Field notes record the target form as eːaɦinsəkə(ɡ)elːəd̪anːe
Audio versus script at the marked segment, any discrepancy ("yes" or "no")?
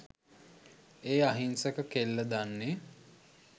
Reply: yes